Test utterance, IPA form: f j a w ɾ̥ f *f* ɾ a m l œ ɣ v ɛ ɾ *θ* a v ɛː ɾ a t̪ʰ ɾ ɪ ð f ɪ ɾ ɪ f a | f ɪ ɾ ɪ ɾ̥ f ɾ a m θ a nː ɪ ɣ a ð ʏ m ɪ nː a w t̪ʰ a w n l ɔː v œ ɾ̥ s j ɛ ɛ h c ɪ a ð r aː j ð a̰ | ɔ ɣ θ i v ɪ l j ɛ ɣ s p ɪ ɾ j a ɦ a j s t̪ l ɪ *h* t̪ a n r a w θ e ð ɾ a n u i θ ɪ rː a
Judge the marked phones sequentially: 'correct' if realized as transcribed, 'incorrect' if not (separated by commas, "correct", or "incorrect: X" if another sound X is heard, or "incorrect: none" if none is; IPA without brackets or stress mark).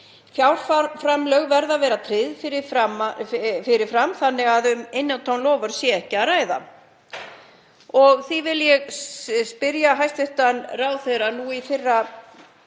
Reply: correct, incorrect: ð, correct